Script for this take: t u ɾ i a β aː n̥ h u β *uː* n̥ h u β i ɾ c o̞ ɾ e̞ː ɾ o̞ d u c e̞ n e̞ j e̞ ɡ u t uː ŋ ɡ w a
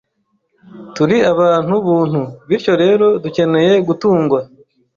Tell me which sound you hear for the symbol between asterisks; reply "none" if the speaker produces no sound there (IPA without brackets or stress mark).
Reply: uː